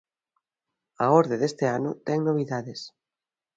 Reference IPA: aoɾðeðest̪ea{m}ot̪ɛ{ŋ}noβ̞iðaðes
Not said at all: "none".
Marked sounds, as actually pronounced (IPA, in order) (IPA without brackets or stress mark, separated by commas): n, ŋ